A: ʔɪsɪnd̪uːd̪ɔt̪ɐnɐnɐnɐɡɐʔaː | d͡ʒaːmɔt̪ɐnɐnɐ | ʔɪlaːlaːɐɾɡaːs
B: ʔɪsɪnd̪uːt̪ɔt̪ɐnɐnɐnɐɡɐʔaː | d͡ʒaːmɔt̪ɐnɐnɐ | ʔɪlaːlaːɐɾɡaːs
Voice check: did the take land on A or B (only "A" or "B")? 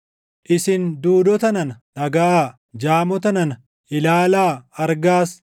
A